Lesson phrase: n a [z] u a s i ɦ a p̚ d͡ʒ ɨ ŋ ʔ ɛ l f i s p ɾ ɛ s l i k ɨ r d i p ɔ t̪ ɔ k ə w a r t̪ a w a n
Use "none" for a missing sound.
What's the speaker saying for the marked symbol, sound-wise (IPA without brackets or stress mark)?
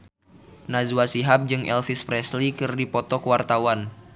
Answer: z